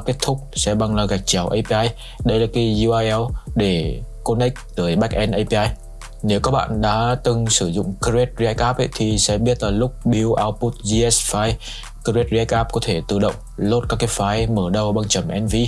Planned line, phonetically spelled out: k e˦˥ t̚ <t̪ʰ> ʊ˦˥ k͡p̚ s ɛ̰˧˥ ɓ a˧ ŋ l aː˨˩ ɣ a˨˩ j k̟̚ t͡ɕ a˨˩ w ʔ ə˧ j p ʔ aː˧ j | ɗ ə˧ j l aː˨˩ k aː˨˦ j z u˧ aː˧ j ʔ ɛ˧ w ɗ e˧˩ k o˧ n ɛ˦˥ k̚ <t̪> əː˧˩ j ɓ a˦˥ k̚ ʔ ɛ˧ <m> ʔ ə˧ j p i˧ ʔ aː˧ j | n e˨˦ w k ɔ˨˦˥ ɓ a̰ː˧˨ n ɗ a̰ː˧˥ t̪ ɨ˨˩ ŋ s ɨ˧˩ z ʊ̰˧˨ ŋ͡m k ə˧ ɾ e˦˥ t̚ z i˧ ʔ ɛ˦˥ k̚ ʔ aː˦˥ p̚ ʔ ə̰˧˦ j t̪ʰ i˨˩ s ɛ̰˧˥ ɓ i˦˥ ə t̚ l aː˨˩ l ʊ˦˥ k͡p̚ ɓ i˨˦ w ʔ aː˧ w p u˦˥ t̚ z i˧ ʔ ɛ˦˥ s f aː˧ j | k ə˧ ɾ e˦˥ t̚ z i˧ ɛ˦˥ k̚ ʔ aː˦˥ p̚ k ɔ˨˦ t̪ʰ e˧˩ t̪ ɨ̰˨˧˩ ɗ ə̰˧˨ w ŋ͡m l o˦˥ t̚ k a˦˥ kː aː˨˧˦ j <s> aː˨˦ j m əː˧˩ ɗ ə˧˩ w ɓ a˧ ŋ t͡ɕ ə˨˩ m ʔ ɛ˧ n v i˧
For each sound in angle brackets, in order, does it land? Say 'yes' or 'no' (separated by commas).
yes, yes, no, no